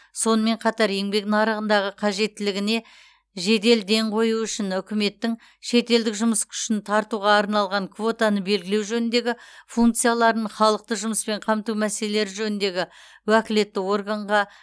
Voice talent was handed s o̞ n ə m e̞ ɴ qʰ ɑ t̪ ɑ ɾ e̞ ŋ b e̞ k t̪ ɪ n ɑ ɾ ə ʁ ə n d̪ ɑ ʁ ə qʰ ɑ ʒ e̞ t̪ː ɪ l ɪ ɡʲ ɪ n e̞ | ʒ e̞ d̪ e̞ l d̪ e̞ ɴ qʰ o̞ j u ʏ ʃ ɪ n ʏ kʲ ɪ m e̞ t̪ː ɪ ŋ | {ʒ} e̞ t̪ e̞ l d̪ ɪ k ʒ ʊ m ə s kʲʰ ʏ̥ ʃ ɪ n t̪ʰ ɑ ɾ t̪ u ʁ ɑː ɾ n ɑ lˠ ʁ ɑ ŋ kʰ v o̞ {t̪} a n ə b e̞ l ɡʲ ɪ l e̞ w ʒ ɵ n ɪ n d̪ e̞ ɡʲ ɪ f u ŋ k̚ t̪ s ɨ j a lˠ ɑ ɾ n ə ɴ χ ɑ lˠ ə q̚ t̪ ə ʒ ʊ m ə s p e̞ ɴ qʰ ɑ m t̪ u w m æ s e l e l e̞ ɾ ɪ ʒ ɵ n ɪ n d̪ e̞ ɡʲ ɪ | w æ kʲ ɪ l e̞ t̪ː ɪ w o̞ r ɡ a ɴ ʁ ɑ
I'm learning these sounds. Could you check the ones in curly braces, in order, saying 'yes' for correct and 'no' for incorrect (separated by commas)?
no, yes